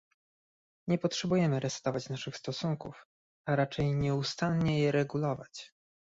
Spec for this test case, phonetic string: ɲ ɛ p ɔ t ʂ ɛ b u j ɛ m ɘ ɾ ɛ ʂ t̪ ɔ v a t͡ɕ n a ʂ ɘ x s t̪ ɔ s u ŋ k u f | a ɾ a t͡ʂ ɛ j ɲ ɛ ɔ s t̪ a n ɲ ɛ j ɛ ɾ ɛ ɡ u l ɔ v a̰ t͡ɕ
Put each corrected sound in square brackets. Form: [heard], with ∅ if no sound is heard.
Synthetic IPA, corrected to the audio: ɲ ɛ p ɔ t ʂ ɛ b u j ɛ m ɘ ɾ ɛ [s] t̪ ɔ v a t͡ɕ n a ʂ ɘ x s t̪ ɔ s u ŋ k u f | a ɾ a t͡ʂ ɛ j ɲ ɛ [u] s t̪ a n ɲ ɛ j ɛ ɾ ɛ ɡ u l ɔ v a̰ t͡ɕ